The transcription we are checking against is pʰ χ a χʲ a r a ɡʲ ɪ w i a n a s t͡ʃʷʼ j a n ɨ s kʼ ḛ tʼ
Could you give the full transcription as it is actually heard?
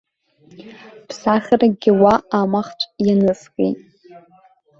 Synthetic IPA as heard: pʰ s a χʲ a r a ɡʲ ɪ w a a m a χ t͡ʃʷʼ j a n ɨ s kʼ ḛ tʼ